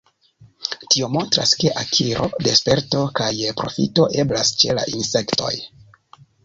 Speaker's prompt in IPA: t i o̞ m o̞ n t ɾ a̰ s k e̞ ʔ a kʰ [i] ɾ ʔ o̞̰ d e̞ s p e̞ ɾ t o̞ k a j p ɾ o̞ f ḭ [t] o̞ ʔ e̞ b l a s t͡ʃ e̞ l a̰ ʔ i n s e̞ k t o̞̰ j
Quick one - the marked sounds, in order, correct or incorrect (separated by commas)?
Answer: correct, correct